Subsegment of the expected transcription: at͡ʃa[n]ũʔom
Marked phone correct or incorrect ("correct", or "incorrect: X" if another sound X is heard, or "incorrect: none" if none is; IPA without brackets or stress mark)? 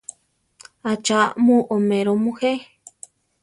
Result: incorrect: m